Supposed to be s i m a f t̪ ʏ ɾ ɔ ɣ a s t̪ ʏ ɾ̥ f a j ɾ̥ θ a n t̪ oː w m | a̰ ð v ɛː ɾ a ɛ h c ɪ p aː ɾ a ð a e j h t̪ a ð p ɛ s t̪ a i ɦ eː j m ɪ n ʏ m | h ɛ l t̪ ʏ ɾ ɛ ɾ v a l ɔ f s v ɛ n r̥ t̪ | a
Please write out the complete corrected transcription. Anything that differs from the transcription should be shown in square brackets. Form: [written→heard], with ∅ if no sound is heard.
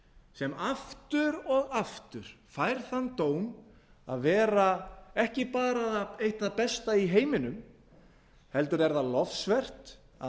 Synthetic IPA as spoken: s [i→ɛ] m a f t̪ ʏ ɾ ɔ ɣ a [s→f] t̪ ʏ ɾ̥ f a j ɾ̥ θ a n t̪ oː w m | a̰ ð v ɛː ɾ a ɛ h c ɪ p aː ɾ a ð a e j h t̪ a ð p ɛ s t̪ a i ɦ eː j m ɪ n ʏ m | h ɛ l t̪ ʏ ɾ ɛ ɾ [v→ð] a l ɔ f s v ɛ [n→∅] r̥ t̪ | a

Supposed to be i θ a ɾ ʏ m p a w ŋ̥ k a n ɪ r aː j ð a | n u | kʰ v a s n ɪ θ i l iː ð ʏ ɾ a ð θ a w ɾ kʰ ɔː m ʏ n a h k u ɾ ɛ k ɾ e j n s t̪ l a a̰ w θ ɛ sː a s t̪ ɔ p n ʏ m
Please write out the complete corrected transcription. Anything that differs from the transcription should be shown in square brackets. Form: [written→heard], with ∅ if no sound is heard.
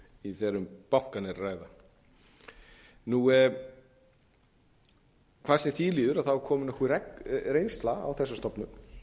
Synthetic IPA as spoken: i θ [a→ɛ] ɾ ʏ m p a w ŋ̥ k a n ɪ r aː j ð a | n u | kʰ v a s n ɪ θ i l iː ð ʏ ɾ a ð θ a w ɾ kʰ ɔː m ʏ n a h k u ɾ ɛ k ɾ e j n s t̪ l a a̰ w θ ɛ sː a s t̪ ɔ p n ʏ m

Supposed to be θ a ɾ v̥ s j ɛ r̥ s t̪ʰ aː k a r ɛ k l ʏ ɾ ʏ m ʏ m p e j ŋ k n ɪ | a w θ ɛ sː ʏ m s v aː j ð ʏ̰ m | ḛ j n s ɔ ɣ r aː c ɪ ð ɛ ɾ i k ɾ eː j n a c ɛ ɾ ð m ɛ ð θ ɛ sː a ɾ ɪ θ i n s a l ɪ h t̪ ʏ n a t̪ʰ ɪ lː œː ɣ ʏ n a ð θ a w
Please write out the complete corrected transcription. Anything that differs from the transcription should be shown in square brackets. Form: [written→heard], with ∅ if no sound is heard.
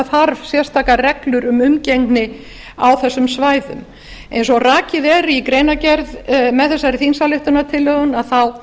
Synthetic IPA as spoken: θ a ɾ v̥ s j ɛ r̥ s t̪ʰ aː k a r ɛ k l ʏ ɾ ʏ m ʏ m [p→c] e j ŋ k n ɪ | a w θ ɛ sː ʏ m s v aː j ð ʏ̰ m | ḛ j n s ɔ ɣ r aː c ɪ ð ɛ ɾ i k ɾ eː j n a c ɛ ɾ ð m ɛ ð θ ɛ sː a ɾ ɪ θ i n s a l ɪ h t̪ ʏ n a t̪ʰ ɪ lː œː ɣ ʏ n a ð θ a w

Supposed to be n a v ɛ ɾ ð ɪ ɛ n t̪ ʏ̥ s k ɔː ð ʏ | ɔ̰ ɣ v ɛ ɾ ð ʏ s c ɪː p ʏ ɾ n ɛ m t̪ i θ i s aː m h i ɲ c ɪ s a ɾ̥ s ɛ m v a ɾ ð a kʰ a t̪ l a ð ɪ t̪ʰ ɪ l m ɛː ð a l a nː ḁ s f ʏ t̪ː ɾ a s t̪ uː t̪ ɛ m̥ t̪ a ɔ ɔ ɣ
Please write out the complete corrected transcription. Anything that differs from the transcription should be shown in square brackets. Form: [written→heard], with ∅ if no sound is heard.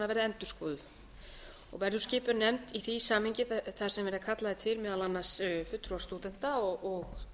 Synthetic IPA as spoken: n a v ɛ ɾ ð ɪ ɛ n t̪ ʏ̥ s k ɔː ð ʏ | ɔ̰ ɣ v ɛ ɾ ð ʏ s c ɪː p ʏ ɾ n ɛ m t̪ i θ i s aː m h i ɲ c ɪ [s→θ] a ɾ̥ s ɛ m v [a→ɛ] ɾ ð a kʰ a t̪ l a ð ɪ t̪ʰ ɪ l m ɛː ð a l a nː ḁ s f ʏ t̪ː ɾ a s t̪ uː t̪ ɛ [m̥→n̥] t̪ a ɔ ɔ ɣ

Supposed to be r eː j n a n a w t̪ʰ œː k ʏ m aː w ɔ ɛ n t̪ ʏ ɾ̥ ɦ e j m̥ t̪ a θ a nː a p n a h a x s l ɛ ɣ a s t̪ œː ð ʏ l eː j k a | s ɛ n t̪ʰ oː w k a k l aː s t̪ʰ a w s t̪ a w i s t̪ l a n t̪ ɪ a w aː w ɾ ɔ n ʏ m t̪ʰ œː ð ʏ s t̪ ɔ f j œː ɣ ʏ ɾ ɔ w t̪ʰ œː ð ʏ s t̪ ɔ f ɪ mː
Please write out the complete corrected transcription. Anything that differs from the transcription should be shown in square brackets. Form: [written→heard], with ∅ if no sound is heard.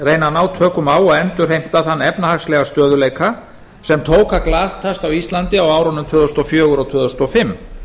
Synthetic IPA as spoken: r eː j n a n a w t̪ʰ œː k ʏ m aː w ɔ ɛ n t̪ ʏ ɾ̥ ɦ e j m̥ t̪ a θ a nː [a→ɛ] p n a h a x s l ɛ ɣ a s t̪ œː ð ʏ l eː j k a | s ɛ [n→m] t̪ʰ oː w k a k l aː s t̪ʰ a [w→∅] s t̪ a w i s t̪ l a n t̪ ɪ a w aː w ɾ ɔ n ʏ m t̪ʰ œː ð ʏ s t̪ ɔ f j œː ɣ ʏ ɾ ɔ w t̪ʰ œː ð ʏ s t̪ ɔ f ɪ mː

